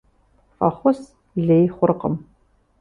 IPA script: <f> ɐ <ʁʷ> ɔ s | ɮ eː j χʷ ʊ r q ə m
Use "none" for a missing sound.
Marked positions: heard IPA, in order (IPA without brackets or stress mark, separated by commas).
f, χʷ